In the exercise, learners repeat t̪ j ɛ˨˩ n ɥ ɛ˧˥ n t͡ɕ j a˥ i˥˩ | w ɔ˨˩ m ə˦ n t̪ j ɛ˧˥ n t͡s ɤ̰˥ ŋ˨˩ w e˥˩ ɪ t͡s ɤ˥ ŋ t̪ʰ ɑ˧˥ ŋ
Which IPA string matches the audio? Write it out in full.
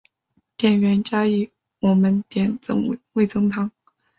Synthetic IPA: t̪ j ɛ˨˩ n ɥ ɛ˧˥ n t͡ɕ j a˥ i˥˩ | w ɔ˨˩ m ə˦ n t̪ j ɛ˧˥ n t͡s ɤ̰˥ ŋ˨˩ w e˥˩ ɪ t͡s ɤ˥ ŋ t̪ʰ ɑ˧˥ ŋ